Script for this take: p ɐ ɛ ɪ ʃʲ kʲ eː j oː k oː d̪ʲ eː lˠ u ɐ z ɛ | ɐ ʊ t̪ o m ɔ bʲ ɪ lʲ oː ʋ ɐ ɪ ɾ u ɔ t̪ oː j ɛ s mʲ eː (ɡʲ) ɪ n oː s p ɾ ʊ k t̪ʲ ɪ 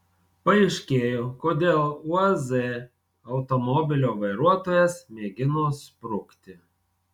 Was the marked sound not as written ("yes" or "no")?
no